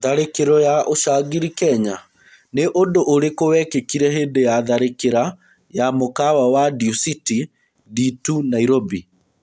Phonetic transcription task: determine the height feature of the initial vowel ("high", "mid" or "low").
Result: low